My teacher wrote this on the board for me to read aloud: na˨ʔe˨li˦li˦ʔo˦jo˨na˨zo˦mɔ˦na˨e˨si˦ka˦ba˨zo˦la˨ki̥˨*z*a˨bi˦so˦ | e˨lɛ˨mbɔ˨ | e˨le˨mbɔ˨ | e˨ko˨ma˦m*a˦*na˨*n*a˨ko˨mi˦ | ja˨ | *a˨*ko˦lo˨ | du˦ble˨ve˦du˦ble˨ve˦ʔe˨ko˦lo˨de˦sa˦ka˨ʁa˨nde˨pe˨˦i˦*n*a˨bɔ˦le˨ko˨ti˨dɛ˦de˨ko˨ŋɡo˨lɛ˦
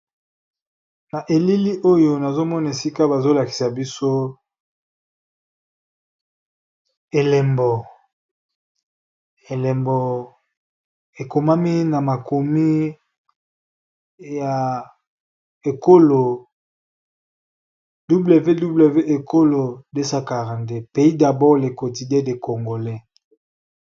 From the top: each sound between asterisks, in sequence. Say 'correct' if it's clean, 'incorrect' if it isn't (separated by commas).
incorrect, incorrect, incorrect, incorrect, incorrect